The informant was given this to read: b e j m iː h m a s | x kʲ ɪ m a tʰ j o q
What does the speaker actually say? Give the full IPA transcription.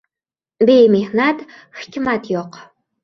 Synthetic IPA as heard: b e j m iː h n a t | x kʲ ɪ m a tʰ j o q